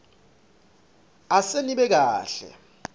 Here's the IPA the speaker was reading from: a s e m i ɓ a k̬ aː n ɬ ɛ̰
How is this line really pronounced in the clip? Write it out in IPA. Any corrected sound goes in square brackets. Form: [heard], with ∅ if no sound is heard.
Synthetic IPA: a s e [n] i ɓ [ɛ] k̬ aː [∅] ɬ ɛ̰